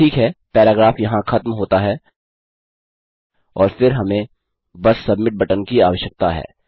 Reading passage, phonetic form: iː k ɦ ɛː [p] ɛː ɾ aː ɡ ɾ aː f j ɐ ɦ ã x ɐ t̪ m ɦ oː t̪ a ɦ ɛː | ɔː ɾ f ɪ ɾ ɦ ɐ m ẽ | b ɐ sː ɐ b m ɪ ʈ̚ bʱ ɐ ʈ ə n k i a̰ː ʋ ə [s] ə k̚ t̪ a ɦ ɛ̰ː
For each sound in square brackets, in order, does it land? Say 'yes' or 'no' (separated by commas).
yes, no